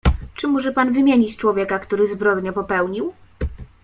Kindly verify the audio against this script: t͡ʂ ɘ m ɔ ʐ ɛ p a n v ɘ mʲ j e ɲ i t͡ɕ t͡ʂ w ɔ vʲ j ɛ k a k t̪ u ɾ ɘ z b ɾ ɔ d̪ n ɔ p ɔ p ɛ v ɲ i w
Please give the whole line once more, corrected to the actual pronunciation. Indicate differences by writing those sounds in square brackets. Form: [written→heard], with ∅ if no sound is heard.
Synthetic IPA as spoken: t͡ʂ ɘ m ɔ ʐ ɛ p a n v ɘ mʲ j e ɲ i t͡ɕ t͡ʂ w ɔ vʲ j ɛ k a k t̪ u ɾ ɘ z b ɾ ɔ d̪ [n→ɲ] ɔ p ɔ p ɛ [v→w] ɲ i w